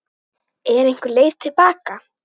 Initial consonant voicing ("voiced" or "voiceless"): voiced